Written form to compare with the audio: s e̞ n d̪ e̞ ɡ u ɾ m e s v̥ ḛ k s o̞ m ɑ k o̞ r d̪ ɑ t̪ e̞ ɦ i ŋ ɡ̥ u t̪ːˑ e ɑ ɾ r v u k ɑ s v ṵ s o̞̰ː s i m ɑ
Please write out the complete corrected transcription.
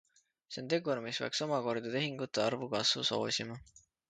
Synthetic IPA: s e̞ n t̪ e̞ ɡ u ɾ m i s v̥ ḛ k s o̞ m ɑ k o̞ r d̪ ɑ t̪ e̞ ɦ i ŋ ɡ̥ u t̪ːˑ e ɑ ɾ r v u k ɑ s v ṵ s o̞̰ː s i m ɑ